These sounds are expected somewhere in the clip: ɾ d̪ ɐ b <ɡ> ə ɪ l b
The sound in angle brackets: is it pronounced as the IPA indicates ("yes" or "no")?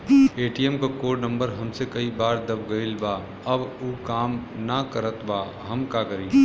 yes